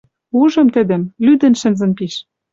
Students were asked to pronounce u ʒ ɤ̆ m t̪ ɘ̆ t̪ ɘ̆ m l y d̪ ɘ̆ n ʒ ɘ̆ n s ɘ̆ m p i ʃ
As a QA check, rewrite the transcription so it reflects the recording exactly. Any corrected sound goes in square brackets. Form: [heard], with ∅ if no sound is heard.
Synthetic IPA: u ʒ ɤ̆ m t̪ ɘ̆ [d̪] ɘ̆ m l y d̪ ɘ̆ n [ʃ] ɘ̆ n [z] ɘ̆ [n] p i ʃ